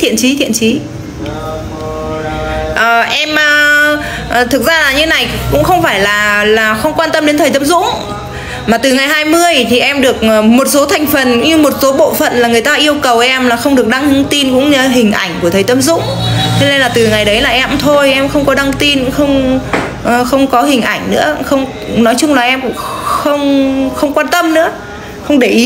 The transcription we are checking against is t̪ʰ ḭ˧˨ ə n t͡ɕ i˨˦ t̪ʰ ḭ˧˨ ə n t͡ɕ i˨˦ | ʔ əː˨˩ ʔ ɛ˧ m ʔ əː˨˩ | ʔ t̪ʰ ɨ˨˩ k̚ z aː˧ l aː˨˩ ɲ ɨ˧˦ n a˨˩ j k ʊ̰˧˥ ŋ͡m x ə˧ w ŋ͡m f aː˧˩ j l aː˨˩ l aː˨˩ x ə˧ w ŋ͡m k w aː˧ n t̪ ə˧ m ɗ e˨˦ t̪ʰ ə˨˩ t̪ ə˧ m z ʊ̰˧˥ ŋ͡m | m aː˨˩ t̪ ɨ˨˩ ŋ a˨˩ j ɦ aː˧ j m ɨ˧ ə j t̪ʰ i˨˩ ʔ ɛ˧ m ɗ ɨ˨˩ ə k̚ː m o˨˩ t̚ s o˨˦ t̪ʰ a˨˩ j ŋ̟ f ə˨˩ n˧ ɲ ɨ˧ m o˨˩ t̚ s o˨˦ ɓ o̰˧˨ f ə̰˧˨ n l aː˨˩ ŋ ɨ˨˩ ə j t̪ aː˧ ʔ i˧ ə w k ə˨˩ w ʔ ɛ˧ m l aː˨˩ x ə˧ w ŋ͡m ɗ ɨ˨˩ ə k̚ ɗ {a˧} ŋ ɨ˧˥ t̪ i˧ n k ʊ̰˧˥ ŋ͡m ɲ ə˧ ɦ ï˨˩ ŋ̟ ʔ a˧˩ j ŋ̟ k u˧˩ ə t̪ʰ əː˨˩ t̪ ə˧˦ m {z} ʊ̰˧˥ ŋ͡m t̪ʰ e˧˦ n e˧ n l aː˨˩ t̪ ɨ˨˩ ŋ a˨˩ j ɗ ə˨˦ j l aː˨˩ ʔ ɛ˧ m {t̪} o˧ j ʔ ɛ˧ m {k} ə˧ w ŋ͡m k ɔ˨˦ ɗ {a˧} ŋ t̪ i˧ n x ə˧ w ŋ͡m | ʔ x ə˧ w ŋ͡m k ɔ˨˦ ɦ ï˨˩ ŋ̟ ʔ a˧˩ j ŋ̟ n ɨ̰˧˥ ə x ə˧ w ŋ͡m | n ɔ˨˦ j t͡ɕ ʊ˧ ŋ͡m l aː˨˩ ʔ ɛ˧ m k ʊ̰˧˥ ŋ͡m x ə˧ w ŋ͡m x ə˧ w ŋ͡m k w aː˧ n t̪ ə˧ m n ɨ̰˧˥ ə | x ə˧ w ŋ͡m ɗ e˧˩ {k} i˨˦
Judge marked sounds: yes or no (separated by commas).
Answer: yes, yes, no, no, yes, no